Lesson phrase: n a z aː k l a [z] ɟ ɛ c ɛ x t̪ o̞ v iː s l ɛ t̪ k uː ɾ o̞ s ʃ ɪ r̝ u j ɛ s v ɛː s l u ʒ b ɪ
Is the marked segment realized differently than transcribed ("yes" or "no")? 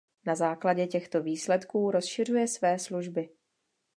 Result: yes